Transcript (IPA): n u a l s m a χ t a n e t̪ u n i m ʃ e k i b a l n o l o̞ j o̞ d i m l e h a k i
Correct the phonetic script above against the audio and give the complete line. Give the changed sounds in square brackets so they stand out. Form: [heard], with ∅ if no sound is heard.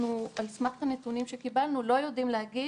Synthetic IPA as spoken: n u a l s m a χ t a n e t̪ u n i m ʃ e k i b a l n [u] l o̞ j o̞ d i m l e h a [ɡ] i